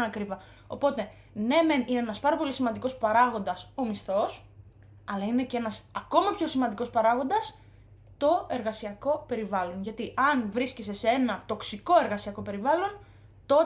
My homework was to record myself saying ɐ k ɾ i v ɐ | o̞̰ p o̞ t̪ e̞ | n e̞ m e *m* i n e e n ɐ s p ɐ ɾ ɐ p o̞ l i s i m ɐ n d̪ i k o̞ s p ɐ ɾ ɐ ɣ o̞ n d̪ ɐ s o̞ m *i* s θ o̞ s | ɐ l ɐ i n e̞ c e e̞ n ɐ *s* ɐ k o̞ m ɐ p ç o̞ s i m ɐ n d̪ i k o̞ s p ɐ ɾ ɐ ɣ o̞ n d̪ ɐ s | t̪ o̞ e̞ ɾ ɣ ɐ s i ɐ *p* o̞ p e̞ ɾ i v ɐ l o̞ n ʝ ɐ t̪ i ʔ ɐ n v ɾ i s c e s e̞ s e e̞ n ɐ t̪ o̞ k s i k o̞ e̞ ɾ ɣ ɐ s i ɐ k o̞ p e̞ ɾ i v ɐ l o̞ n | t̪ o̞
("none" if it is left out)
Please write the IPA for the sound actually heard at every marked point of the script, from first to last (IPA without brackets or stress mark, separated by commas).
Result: n, i, s, k